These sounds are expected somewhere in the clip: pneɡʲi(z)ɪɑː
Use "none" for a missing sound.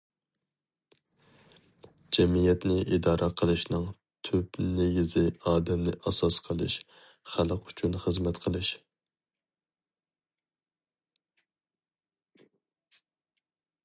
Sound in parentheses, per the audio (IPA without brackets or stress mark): z